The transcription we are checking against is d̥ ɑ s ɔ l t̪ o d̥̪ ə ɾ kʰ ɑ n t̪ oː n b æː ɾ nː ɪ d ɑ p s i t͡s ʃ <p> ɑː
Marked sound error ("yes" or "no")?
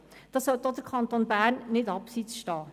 yes